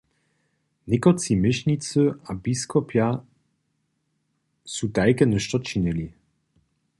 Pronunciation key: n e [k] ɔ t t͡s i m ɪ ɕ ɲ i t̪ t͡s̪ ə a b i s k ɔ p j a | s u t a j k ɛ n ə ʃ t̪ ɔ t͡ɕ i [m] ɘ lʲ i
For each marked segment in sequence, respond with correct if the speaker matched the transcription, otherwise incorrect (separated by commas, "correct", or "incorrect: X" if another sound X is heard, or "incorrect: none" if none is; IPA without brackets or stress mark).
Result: correct, incorrect: n